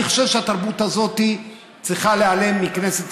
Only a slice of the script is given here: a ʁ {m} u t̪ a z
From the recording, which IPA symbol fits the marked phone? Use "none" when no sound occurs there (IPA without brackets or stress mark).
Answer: b